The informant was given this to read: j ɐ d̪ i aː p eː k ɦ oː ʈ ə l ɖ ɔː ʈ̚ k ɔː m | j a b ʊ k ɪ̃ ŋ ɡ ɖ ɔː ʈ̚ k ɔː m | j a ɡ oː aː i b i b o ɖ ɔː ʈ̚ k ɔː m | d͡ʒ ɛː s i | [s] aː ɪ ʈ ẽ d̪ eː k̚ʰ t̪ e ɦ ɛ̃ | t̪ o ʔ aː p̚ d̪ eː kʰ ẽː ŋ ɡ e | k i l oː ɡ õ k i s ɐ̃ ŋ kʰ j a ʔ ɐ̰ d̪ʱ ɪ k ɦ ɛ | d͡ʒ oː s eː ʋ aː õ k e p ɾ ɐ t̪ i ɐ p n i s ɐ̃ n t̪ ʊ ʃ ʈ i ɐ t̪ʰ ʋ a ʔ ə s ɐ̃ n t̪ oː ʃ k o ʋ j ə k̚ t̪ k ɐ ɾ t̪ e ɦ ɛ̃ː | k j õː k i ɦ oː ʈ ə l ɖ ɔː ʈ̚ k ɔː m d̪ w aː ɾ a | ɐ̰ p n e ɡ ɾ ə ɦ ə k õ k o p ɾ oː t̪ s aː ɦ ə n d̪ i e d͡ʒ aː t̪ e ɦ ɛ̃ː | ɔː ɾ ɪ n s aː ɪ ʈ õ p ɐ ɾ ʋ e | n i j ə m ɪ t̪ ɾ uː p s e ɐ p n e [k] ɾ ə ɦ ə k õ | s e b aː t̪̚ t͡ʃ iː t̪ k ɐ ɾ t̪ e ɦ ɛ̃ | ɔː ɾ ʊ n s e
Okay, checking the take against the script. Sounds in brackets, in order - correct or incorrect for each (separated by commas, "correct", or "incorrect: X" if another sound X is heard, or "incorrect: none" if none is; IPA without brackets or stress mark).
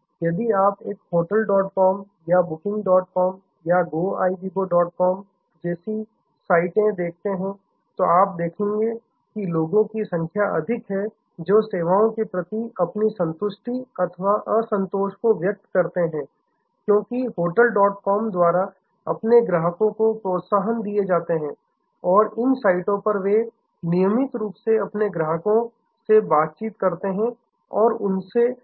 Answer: correct, incorrect: ɡ